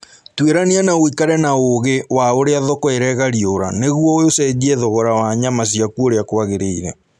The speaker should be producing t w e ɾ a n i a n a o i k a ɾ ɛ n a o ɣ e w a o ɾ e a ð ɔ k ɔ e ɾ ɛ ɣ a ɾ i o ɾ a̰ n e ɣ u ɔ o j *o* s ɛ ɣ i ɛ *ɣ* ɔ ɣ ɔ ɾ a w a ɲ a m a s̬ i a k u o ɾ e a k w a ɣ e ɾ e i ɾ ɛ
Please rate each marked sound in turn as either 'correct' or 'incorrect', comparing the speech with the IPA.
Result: correct, incorrect: ð

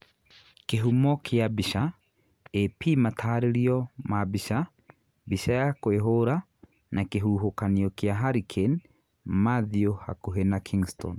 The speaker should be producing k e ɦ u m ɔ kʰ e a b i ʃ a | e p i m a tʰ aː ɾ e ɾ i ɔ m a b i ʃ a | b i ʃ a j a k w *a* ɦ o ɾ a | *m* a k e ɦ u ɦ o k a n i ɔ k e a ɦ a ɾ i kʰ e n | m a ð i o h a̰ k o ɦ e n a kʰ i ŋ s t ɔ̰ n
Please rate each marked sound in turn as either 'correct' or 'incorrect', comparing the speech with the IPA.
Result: incorrect: e, incorrect: n

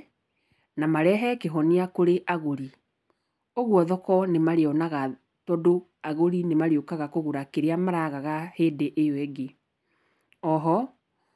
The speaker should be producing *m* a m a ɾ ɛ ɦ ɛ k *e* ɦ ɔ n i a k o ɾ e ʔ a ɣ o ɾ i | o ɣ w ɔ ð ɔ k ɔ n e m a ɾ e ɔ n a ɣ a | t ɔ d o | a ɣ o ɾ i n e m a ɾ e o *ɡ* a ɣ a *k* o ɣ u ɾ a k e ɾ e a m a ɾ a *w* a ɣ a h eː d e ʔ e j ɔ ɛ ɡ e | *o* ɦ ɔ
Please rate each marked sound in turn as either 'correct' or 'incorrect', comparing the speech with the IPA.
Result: incorrect: n, correct, incorrect: k, correct, incorrect: ɣ, incorrect: ɔ

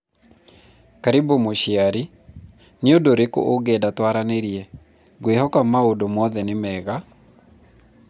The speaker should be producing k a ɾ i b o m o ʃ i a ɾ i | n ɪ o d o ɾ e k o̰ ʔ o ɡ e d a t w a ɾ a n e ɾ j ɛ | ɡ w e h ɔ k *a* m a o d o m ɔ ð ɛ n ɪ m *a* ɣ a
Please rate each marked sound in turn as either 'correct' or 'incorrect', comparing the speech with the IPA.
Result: correct, incorrect: ɛ

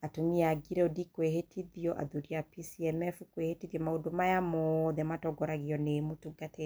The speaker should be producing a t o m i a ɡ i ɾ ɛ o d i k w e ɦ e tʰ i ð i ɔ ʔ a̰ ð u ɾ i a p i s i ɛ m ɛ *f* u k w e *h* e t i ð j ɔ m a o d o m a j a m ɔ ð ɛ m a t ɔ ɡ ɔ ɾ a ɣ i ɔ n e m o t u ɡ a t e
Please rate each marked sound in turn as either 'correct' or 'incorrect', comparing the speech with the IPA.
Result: correct, correct

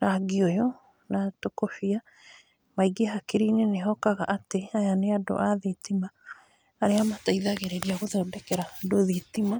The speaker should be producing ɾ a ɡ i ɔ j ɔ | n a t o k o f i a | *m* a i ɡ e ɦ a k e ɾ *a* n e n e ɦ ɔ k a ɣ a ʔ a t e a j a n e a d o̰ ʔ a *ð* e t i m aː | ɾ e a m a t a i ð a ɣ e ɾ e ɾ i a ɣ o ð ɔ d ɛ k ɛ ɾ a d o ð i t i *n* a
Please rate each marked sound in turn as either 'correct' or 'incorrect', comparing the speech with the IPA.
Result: correct, incorrect: i, correct, incorrect: m

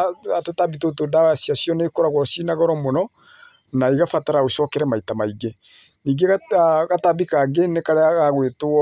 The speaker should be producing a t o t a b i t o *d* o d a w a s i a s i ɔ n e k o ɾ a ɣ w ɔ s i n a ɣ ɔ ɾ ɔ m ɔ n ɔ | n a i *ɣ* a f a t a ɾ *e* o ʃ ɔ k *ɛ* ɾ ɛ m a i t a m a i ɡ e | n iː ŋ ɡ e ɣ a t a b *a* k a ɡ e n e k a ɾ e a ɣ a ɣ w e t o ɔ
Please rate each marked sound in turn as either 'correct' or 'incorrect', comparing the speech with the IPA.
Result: incorrect: t, correct, incorrect: a, correct, incorrect: i

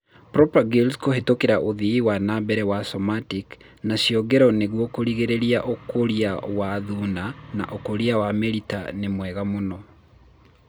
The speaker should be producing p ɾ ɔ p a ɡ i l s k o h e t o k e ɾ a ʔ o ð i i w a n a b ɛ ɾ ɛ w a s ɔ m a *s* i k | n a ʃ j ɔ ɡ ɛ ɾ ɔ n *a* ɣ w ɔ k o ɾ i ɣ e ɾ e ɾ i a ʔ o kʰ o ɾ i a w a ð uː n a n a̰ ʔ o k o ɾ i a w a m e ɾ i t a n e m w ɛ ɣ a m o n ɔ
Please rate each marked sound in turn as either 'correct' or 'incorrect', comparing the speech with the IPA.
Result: incorrect: t, incorrect: e

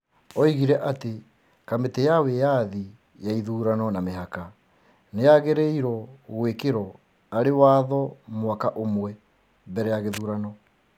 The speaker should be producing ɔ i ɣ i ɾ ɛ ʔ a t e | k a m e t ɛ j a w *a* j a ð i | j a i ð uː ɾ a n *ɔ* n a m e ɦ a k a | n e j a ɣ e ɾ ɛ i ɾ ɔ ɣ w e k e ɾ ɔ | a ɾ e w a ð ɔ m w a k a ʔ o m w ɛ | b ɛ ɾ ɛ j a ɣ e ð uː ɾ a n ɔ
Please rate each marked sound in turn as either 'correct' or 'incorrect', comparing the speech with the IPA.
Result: incorrect: e, correct

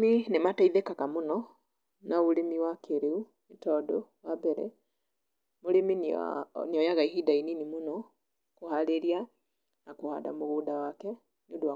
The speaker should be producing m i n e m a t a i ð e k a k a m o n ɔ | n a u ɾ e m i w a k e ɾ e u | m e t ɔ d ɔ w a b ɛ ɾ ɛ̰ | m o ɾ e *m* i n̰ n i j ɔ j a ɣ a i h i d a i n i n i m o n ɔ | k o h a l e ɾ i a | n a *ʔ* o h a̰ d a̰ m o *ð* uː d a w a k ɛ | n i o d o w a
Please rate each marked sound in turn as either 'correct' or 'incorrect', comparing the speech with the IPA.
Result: correct, incorrect: k, incorrect: ɣ

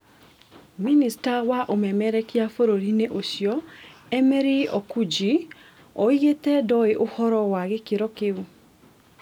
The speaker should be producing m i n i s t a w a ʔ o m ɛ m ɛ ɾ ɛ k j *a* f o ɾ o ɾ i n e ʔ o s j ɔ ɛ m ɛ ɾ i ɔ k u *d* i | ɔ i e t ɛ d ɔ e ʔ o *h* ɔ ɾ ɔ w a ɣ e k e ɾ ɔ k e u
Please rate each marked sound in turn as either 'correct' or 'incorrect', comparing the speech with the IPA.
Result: correct, incorrect: d͡ʒ, correct

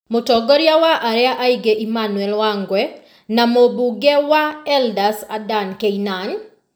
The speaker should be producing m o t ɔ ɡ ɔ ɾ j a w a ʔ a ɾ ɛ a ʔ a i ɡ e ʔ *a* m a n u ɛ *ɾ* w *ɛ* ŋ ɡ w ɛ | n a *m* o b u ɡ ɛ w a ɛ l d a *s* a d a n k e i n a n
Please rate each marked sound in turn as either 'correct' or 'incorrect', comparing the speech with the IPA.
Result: incorrect: i, incorrect: l, incorrect: a, correct, correct

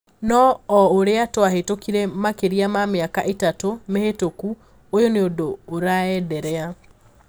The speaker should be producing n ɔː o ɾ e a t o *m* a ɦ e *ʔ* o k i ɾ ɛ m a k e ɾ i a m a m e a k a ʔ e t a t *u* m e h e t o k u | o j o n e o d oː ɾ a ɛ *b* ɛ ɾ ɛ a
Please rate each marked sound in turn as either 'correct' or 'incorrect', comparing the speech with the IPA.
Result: incorrect: none, incorrect: t, incorrect: o, incorrect: d

